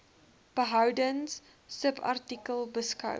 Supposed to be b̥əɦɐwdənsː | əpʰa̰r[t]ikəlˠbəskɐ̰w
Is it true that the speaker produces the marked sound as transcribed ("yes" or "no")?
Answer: yes